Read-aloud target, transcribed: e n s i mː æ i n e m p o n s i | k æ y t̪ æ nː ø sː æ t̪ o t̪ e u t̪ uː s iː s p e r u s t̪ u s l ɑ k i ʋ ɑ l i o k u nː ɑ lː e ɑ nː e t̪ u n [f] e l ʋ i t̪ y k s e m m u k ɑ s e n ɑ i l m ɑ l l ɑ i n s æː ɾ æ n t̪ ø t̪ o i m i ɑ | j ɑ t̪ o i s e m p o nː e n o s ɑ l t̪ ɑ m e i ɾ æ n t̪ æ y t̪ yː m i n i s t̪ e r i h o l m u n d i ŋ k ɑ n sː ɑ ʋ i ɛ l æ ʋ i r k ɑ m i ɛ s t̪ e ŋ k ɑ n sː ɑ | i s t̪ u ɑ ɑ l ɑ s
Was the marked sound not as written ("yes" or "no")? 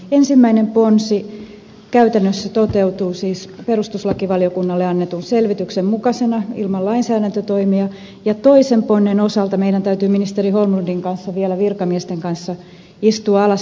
yes